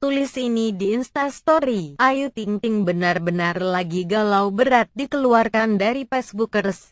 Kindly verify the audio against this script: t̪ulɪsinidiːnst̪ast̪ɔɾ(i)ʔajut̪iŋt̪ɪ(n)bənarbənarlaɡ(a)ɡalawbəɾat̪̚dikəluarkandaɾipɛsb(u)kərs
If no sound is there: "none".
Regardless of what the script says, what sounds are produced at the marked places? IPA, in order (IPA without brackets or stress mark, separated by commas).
i, ŋ, i, u